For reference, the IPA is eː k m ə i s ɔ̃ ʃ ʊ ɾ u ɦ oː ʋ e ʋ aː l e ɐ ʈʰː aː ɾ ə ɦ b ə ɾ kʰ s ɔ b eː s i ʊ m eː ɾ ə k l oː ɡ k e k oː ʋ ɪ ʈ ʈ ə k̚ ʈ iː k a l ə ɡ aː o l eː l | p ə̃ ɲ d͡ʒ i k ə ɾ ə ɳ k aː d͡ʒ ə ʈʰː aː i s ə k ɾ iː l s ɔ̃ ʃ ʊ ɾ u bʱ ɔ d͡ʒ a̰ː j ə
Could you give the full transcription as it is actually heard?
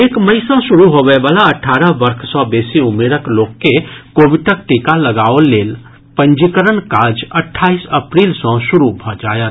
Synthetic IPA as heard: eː k m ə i s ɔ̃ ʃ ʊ ɾ u ɦ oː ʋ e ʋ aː l a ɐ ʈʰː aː ɾ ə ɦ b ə ɾ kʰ s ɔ b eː s i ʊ m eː ɾ ə k l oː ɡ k e k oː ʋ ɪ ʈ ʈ ə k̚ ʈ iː k a l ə ɡ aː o l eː l | p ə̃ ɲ d͡ʒ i k ə ɾ ə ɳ k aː d͡ʒ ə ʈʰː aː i s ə p ɾ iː l s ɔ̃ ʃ ʊ ɾ u bʱ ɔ d͡ʒ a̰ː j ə